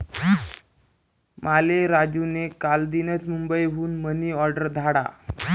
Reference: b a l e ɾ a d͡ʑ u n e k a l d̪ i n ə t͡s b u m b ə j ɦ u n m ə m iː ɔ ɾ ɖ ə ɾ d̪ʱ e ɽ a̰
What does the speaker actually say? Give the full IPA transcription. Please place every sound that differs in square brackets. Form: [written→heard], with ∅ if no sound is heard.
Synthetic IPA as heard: [b→m] a l e ɾ a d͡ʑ u n e k a l d̪ i n ə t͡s [b→m] u m b ə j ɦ [u→uː] n m ə [m→n] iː ɔ ɾ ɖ ə ɾ d̪ʱ [e→a] ɽ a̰